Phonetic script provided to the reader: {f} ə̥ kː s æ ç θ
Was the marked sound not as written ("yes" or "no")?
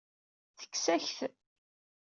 yes